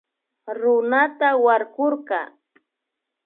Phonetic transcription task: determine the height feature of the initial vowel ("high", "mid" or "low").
high